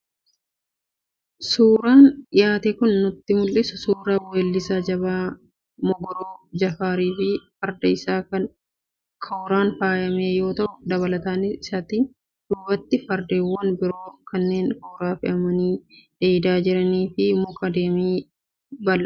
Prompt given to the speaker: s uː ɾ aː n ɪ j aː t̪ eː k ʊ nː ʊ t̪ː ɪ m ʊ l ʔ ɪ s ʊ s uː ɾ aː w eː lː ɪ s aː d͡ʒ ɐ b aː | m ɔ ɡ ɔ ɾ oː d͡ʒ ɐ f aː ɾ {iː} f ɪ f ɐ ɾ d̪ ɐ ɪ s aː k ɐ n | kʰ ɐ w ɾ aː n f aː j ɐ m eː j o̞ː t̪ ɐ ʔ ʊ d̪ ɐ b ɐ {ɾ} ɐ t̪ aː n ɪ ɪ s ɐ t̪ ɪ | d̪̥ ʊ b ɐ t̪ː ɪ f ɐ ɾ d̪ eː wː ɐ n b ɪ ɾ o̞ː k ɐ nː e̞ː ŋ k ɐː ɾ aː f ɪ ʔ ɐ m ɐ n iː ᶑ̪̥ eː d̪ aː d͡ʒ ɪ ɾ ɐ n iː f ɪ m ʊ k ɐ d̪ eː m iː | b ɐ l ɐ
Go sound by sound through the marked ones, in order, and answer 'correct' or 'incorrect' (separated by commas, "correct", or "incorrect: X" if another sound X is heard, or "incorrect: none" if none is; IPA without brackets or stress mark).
correct, incorrect: l